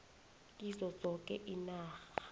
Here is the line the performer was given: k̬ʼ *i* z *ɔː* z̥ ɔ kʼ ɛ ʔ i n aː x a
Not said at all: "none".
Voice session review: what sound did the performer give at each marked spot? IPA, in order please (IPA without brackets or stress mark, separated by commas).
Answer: i, ɔ